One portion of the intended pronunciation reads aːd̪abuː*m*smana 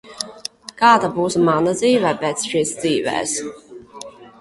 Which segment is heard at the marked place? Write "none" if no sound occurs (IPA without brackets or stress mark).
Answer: none